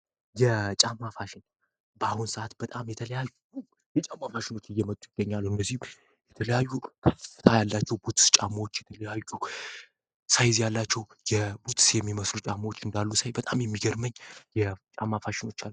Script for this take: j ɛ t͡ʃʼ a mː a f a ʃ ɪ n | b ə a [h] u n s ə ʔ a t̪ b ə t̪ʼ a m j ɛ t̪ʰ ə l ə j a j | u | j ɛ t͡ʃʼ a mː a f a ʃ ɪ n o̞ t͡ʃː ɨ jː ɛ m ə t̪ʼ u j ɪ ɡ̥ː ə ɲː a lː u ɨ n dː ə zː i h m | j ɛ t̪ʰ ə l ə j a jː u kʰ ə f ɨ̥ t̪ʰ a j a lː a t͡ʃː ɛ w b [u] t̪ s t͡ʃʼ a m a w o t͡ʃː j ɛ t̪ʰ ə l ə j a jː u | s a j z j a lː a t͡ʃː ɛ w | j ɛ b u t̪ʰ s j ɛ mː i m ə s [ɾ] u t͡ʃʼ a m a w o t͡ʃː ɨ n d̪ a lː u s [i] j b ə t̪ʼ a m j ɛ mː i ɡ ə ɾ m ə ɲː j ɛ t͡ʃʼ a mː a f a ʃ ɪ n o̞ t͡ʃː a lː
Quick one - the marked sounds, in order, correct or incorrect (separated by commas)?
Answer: correct, correct, incorrect, incorrect